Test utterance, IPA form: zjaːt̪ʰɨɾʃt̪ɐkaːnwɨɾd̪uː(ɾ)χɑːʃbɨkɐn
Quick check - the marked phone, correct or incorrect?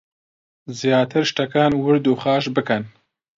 incorrect